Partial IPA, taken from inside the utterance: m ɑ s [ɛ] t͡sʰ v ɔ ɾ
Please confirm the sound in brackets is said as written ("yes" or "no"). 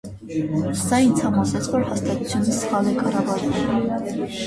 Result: yes